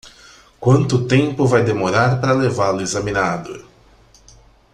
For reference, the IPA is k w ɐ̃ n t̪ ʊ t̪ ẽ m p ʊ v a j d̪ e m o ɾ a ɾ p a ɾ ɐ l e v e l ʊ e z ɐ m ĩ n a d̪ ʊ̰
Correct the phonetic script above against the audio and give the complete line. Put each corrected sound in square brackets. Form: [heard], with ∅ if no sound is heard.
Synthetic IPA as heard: k w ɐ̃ n t̪ ʊ t̪ ẽ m p ʊ v a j d̪ e m o ɾ a ɾ p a ɾ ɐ l e v [a] l ʊ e z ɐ m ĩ n a d̪ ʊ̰